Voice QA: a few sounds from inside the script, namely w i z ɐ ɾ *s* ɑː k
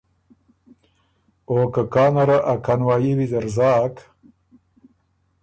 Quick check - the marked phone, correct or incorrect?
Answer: incorrect